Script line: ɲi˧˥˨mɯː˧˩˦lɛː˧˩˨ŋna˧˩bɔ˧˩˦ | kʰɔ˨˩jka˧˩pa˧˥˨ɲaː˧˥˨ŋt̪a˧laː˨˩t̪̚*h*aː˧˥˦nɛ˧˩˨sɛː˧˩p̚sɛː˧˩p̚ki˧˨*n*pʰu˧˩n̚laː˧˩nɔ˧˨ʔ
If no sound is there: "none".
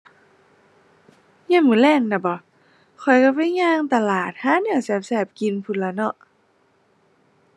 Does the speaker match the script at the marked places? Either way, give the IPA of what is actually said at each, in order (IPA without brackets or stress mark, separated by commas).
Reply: h, n